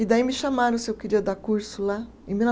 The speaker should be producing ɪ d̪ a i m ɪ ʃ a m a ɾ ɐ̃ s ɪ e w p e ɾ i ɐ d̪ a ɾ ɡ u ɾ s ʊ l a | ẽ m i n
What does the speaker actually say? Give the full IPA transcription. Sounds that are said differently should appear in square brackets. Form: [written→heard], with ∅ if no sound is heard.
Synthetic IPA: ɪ d̪ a i m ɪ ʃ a m a ɾ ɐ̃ s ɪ e w [p→k] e ɾ i ɐ d̪ a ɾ [ɡ→k] u ɾ s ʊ l a | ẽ m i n